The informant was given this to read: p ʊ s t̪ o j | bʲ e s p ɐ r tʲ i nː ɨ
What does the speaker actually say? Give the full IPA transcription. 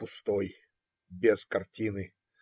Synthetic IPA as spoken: p ʊ s t̪ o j | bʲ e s k ɐ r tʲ i n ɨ